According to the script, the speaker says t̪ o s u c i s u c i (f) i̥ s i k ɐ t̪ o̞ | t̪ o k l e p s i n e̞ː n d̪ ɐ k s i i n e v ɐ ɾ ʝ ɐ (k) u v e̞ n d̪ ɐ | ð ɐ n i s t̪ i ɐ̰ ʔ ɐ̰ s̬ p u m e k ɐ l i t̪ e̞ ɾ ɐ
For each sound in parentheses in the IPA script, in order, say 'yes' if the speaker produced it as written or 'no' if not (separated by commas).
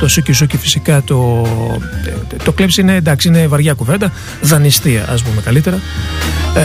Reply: yes, yes